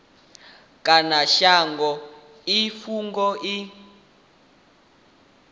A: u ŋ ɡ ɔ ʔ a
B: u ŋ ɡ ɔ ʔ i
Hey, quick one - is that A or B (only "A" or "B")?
B